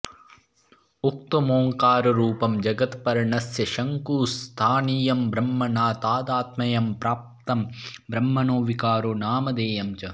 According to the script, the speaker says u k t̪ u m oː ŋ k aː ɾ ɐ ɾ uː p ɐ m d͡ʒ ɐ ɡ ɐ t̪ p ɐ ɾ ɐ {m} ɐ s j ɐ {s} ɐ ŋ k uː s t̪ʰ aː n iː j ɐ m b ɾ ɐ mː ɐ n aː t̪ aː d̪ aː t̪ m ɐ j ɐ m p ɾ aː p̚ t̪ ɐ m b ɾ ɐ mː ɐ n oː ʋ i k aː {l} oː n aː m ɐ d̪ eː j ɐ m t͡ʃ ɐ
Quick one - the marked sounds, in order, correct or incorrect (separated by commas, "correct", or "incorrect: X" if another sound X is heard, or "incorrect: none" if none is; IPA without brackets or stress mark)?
incorrect: ɳ, incorrect: ʃ, incorrect: ɾ